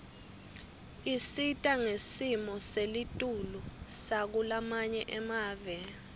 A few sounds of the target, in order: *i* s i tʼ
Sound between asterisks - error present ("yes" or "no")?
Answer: no